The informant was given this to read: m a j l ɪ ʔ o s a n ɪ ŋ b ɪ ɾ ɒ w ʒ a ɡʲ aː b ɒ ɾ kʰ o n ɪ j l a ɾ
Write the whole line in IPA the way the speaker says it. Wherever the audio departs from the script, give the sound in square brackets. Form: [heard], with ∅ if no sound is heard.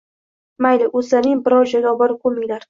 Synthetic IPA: m a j l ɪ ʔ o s a n ɪ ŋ b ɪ ɾ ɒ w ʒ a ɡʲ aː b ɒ ɾ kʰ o [m] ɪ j l a ɾ